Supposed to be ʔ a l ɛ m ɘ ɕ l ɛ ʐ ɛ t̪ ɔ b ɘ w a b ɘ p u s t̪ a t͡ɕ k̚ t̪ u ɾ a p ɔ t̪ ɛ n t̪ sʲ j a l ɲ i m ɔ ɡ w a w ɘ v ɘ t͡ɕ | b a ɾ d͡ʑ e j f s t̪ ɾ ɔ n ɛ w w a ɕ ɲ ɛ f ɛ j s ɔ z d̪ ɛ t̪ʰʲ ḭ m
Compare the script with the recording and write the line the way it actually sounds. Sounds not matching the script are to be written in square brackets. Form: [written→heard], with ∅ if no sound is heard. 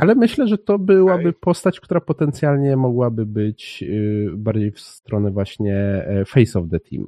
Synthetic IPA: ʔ a l ɛ m ɘ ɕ l ɛ ʐ ɛ t̪ ɔ b ɘ w a b ɘ p [u→ɔ] s t̪ a t͡ɕ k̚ t̪ u ɾ a p ɔ t̪ ɛ n t̪ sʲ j a l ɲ [i→ɛ] m ɔ ɡ w a [w→b] ɘ [v→b] ɘ t͡ɕ | b a ɾ d͡ʑ e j f s t̪ ɾ ɔ n ɛ [w→v] w a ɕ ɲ ɛ f ɛ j s ɔ [z→v] d̪ ɛ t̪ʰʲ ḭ m